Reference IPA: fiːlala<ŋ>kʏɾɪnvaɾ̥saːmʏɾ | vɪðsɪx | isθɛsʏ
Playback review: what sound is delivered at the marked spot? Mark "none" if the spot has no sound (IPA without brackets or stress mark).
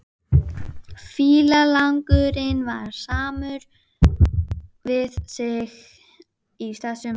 ŋ